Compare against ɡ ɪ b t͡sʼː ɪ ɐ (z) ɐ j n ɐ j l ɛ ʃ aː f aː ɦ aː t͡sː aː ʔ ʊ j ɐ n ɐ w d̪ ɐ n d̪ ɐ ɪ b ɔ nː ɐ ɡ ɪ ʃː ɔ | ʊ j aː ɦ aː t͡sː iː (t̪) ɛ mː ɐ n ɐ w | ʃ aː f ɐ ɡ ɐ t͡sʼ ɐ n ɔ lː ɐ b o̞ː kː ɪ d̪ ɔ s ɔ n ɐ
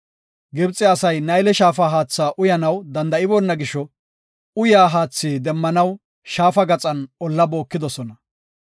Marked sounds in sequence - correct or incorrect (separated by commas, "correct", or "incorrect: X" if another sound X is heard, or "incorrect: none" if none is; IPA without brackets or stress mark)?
incorrect: s, incorrect: d̪